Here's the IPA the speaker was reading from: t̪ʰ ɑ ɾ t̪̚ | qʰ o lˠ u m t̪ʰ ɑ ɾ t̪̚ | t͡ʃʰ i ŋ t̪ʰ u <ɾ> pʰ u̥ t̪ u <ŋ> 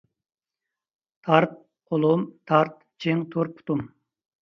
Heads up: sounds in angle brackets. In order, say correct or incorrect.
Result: correct, incorrect

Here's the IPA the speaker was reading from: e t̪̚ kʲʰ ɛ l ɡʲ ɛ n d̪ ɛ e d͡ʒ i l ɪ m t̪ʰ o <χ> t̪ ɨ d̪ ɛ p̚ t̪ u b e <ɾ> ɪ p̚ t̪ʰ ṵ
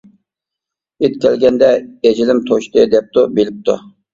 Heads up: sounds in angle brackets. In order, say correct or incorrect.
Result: incorrect, incorrect

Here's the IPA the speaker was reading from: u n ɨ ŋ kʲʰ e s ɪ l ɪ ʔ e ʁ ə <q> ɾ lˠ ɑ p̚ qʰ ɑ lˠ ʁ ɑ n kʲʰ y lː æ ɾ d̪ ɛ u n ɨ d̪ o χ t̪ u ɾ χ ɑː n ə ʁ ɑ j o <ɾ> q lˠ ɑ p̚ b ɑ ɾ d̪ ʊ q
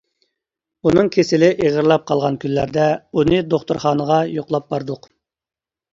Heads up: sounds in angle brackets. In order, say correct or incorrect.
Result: incorrect, incorrect

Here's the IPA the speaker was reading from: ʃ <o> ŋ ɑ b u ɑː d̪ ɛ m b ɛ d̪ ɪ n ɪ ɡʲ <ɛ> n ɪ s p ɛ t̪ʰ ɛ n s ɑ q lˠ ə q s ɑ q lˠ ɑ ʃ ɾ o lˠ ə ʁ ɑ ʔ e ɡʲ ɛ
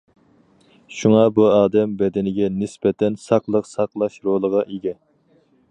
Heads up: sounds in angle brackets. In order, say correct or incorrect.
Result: incorrect, correct

